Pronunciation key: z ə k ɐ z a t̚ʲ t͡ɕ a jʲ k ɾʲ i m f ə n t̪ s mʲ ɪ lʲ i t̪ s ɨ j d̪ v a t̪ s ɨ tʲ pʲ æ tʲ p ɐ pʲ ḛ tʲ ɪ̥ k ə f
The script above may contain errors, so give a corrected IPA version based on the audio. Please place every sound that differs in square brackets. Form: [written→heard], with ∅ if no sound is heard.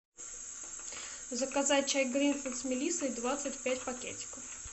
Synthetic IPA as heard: z ə k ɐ z a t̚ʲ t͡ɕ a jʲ [k→ɡ] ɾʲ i [m→n] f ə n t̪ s mʲ ɪ lʲ i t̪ s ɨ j d̪ v a t̪ s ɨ tʲ pʲ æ tʲ p ɐ [pʲ→kʲ] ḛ tʲ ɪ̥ k ə f